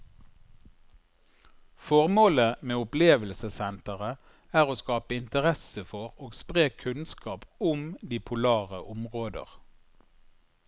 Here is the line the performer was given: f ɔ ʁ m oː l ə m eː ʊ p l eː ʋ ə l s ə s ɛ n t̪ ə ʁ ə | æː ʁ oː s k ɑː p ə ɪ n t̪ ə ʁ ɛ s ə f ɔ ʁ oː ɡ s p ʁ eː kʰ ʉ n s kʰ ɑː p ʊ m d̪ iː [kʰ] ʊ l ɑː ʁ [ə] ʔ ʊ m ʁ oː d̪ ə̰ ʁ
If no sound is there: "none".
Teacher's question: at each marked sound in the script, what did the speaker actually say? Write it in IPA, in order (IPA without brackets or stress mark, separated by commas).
pʰ, ə